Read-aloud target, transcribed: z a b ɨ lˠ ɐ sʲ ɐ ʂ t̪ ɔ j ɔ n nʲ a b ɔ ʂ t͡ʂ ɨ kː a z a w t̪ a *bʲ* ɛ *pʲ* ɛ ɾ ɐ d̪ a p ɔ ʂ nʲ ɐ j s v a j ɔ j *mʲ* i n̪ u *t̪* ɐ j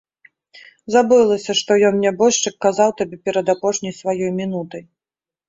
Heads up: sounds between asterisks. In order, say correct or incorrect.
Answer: correct, correct, correct, correct

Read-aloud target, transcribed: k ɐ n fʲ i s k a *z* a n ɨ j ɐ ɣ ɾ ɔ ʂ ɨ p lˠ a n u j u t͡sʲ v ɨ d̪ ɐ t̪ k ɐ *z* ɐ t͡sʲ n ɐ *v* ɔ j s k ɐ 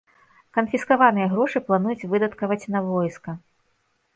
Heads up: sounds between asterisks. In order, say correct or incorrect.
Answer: incorrect, incorrect, correct

